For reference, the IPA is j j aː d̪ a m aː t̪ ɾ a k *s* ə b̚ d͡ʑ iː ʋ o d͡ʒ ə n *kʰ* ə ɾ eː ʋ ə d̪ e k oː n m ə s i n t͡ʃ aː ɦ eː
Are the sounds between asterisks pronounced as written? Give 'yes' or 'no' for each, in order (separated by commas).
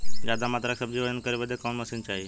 yes, no